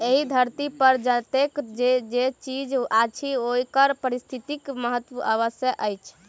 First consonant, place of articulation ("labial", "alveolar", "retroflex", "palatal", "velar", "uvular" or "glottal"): glottal